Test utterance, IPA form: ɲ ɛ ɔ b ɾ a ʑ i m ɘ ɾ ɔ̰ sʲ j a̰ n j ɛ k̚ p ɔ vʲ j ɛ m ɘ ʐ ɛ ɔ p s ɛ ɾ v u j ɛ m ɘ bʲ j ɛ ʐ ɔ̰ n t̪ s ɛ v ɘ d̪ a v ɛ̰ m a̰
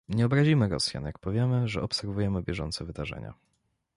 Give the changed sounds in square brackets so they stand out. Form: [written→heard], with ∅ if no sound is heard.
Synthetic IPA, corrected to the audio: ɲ ɛ ɔ b ɾ a ʑ i m ɘ ɾ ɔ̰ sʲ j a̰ n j [ɛ→a] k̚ p ɔ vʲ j ɛ m ɘ ʐ ɛ ɔ p s ɛ ɾ v u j ɛ m ɘ bʲ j ɛ ʐ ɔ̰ n t̪ s ɛ v ɘ d̪ a [v→ʐ] ɛ̰ [m→ɲ] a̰